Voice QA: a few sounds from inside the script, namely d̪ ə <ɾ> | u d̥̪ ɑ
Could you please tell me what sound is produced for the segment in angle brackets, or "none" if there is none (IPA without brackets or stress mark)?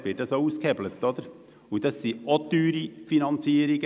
ɾ